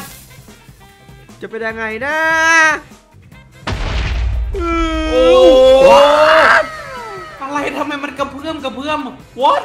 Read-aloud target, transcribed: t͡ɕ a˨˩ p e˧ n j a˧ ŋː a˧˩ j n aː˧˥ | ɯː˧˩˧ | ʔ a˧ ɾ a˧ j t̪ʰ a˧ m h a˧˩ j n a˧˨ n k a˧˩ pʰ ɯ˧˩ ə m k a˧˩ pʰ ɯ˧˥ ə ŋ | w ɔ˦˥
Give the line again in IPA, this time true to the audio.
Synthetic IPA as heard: t͡ɕ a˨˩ p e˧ n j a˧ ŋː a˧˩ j n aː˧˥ | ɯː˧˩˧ | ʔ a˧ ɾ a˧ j t̪ʰ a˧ m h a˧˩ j m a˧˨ n k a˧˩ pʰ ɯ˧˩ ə m k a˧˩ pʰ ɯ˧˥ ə m | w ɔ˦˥

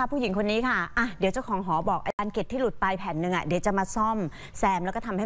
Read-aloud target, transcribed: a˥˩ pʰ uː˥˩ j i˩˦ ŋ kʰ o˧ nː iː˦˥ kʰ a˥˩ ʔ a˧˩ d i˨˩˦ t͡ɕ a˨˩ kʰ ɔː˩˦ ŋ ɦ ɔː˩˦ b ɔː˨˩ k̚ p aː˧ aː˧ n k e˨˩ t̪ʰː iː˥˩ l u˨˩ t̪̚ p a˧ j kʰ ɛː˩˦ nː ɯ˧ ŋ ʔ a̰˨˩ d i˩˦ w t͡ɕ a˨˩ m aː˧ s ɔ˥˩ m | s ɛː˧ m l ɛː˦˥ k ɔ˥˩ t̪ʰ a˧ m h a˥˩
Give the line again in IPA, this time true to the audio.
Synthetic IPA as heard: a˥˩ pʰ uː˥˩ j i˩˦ ŋ kʰ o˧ nː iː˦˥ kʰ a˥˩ ʔ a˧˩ d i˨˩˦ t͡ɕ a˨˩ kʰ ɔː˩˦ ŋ ɦ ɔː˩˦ b ɔː˨˩ k̚ ʔ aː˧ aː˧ n k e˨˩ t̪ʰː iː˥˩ l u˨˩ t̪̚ p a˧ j pʰ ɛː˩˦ nː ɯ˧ ŋ ʔ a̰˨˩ d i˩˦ w t͡ɕ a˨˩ m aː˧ s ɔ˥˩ m | s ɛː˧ m l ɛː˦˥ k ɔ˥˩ t̪ʰ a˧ m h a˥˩

